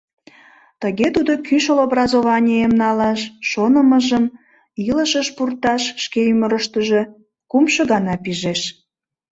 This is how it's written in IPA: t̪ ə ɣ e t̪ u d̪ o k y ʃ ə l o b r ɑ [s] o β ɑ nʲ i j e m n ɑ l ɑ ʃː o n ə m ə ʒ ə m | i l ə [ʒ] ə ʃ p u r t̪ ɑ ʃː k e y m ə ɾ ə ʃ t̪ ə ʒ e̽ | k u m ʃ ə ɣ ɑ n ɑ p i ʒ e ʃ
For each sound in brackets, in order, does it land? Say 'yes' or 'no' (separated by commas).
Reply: no, no